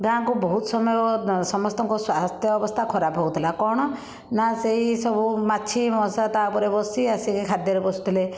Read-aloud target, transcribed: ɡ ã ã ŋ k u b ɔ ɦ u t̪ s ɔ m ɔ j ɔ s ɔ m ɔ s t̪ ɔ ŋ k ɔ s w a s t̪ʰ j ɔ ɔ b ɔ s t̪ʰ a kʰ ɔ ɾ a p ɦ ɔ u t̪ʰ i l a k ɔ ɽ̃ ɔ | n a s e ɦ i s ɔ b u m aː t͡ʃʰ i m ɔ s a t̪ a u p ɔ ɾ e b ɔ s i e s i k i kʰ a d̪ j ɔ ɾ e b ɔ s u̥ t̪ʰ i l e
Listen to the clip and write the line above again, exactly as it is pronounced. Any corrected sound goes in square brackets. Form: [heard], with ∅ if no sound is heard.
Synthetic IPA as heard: ɡ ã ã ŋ k u b ɔ ɦ u t̪ s ɔ m ɔ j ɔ s ɔ m ɔ s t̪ ɔ ŋ k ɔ s w a s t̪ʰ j ɔ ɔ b ɔ s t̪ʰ a kʰ ɔ ɾ a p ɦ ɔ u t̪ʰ i l a k ɔ ɽ̃ ɔ | n a s e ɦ i s ɔ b u m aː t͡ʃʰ i m ɔ s a t̪ a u p ɔ ɾ e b ɔ s i [a] s i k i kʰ a d̪ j ɔ ɾ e b ɔ s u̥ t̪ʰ i l e